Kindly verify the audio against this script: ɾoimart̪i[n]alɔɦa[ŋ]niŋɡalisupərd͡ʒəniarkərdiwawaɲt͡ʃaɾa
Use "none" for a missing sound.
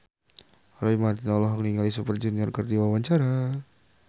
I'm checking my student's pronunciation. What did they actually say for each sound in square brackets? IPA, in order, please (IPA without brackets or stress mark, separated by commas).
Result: n, ŋ